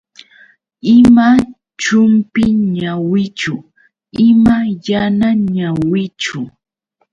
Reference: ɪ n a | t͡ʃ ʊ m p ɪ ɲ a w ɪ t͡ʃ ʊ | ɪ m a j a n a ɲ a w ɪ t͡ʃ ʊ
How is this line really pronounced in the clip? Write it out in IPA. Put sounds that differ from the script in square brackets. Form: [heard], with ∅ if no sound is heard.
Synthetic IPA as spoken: ɪ [m] a | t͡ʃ ʊ m p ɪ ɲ a w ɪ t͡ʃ ʊ | ɪ m a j a n a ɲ a w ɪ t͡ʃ ʊ